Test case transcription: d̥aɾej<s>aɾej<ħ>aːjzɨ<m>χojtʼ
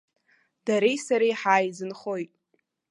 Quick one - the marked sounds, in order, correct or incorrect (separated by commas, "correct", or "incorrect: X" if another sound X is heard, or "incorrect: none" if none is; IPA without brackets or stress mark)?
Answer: correct, correct, incorrect: n